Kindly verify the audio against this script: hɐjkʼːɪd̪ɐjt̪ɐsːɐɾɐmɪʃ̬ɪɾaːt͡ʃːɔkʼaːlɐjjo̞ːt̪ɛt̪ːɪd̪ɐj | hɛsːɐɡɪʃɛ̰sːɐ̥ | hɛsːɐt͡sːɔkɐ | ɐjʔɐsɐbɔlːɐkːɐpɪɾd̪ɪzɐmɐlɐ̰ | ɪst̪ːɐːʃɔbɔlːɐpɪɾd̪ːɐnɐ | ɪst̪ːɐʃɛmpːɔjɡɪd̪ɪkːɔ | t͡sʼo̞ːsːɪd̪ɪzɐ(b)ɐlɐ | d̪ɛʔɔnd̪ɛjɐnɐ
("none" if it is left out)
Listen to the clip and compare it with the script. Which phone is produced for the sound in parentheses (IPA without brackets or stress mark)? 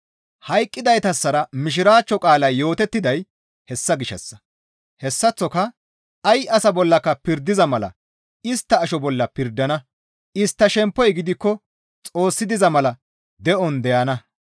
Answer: m